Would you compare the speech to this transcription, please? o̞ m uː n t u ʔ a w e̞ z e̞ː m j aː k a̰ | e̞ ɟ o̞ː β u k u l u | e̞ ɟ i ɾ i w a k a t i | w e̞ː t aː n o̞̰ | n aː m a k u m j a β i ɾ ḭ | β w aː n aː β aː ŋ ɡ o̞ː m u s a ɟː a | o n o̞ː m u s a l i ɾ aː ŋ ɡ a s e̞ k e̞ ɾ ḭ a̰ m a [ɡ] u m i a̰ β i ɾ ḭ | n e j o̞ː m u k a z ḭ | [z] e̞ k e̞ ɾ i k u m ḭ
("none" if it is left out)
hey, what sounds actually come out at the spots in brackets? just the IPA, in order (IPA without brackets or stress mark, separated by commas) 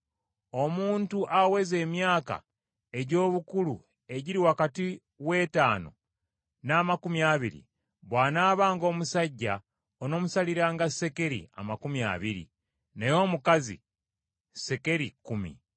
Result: k, s